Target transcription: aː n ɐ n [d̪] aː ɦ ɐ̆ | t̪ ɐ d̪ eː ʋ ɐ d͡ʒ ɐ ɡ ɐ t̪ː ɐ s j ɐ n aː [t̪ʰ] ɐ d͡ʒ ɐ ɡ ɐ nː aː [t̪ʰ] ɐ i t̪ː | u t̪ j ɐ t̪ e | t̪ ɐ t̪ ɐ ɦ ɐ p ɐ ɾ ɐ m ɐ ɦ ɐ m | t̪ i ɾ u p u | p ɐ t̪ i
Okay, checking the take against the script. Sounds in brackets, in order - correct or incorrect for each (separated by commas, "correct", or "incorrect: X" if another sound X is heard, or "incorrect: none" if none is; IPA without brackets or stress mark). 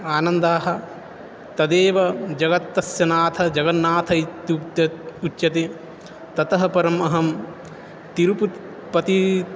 correct, correct, correct